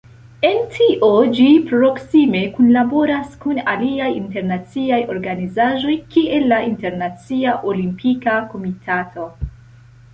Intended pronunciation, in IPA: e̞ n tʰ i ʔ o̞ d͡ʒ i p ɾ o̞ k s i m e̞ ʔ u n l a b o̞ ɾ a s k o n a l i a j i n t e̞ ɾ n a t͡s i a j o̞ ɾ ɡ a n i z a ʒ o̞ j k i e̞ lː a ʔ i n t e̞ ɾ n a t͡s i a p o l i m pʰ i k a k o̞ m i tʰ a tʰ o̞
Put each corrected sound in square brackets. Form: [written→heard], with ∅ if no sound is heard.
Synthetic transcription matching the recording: e̞ n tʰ i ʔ o̞ d͡ʒ i p ɾ o̞ k s i m e̞ [ʔ→k] u n l a b o̞ ɾ a s k [o→u] n a l i a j i n t e̞ ɾ n a t͡s i a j o̞ ɾ ɡ a n i z a ʒ o̞ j k i e̞ lː a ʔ i n t e̞ ɾ n a t͡s i a [p→ʔ] o l i m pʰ i k a k o̞ m i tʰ a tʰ o̞